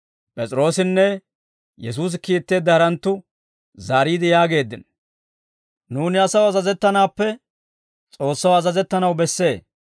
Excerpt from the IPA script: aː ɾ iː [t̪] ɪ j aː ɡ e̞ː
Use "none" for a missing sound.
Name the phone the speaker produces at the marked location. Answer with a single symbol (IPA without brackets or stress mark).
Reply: d̪